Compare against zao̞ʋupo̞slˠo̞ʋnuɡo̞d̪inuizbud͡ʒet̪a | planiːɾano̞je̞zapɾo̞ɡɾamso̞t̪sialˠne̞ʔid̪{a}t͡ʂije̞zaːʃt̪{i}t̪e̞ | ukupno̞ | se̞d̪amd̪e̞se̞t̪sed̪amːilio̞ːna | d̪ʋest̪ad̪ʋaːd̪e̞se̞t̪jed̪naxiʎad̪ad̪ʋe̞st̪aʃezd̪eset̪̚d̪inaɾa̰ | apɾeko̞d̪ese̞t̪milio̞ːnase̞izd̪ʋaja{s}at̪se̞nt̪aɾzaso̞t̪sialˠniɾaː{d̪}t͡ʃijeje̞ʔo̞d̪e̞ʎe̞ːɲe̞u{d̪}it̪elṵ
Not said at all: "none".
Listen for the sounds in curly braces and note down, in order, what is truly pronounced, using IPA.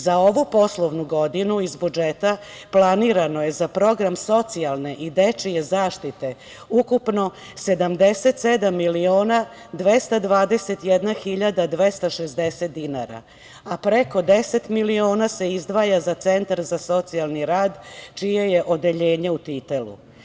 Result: e, i, z, d̪, t̪

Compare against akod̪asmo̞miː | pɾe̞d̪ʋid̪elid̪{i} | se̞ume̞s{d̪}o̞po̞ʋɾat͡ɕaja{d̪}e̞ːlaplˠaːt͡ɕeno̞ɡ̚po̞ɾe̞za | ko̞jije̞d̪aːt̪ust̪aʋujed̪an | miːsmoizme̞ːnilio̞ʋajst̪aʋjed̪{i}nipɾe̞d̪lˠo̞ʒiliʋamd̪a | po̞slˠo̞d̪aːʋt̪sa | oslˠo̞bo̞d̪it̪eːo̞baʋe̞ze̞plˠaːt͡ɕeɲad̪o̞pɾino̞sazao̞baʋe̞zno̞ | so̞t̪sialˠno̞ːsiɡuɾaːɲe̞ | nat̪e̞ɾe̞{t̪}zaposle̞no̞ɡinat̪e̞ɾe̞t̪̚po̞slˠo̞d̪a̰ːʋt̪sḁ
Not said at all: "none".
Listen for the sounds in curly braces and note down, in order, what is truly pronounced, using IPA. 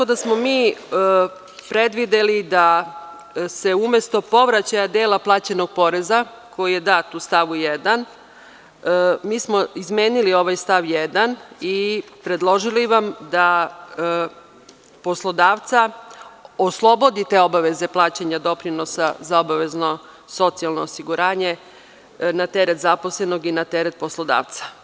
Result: a, t̪, d̪, a, t̪

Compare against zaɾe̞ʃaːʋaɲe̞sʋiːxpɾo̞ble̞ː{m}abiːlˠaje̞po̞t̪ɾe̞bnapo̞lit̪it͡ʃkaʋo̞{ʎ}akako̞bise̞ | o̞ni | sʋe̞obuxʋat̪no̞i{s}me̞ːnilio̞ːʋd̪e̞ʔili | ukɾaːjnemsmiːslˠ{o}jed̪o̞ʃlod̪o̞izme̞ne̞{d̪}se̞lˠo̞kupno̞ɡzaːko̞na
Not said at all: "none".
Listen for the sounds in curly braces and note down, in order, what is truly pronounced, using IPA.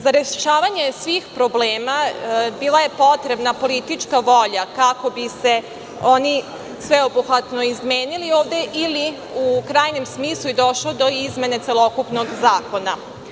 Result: m, ʎ, z, u, t̪

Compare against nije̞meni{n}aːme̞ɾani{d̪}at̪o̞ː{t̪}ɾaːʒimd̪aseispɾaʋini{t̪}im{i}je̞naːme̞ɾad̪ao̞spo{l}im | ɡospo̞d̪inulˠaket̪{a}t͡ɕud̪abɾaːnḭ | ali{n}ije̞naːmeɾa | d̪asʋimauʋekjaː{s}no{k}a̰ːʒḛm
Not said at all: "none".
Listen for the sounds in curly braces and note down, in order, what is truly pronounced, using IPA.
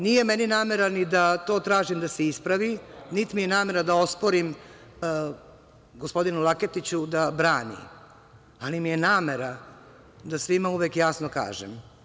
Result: n, d̪, t̪, t̪, i, ɾ, i, m, s, k

